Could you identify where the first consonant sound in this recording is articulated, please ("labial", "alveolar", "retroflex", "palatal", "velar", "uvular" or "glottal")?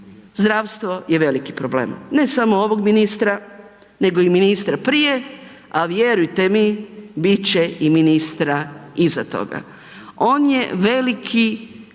alveolar